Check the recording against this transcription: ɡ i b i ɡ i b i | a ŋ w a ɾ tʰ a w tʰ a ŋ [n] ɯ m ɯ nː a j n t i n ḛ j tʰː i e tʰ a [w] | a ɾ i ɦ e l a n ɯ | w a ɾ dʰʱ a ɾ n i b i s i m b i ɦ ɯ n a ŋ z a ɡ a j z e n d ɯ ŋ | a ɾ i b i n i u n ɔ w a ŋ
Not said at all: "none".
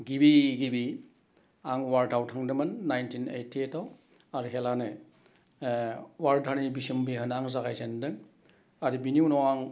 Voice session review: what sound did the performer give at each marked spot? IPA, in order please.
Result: d, w

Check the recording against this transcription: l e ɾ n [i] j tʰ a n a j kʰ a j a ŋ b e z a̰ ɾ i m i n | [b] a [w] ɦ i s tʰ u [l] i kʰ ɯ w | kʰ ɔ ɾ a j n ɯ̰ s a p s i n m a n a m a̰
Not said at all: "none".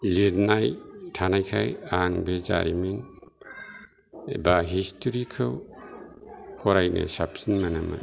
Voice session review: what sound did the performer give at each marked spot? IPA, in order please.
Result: a, b, none, ɾ

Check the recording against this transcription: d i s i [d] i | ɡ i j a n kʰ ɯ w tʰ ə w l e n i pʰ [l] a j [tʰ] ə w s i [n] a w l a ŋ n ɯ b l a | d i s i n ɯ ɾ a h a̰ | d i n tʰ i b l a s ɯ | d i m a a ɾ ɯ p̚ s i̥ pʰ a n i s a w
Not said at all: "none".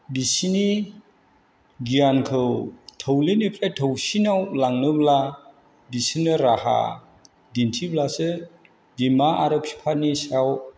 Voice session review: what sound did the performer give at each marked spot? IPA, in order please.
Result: n, ɾ, tʰ, n

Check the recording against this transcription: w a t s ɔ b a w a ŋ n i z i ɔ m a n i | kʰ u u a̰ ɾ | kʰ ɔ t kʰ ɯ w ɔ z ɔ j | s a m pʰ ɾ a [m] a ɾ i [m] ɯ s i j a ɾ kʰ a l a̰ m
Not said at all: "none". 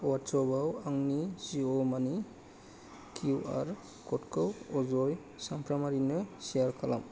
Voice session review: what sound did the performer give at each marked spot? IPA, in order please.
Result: m, n

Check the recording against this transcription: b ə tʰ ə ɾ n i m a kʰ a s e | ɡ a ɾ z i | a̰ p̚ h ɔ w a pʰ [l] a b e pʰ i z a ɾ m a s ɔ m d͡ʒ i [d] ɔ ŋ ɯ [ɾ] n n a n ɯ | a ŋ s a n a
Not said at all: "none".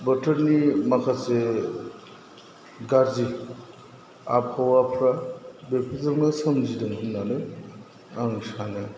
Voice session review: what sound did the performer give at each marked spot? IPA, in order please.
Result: ɾ, d, none

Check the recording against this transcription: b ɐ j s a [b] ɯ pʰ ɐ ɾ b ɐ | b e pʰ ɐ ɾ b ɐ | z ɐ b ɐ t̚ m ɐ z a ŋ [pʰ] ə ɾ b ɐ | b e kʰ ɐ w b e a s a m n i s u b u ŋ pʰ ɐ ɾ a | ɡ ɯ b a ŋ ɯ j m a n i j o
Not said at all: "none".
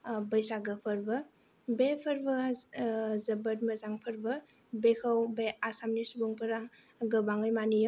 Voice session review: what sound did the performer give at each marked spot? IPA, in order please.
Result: ɡ, pʰ

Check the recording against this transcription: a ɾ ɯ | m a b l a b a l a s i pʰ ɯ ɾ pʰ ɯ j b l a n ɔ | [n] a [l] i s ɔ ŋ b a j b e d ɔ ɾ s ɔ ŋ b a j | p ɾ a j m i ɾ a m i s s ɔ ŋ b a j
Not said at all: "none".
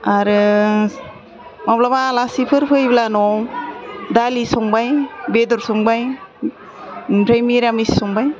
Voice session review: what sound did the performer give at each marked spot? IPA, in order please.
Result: d, l

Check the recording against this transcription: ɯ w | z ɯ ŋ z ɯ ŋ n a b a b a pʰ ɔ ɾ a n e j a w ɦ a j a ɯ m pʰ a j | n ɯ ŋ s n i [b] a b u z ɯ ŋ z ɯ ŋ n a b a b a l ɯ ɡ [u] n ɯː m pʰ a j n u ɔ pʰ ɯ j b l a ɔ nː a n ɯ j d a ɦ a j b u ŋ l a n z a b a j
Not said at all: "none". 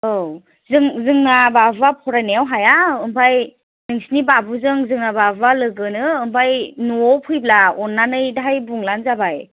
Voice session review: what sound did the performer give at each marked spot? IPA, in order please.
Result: b, ɯ

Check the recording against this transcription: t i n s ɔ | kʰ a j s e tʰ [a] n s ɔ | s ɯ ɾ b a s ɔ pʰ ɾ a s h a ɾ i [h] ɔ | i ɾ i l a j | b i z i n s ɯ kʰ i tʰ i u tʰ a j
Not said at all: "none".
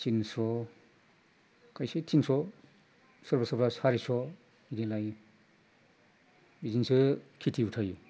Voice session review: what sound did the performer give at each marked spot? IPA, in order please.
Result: i, s

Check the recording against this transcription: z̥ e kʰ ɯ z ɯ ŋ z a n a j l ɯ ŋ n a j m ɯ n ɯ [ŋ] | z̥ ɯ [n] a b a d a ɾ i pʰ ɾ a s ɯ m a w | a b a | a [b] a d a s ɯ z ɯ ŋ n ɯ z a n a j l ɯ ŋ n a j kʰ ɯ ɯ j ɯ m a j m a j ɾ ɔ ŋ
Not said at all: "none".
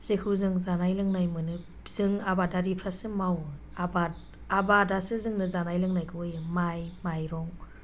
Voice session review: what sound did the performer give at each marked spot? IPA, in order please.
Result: none, ŋ, b

